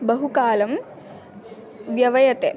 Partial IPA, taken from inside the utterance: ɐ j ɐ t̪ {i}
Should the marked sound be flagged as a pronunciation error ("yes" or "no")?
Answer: yes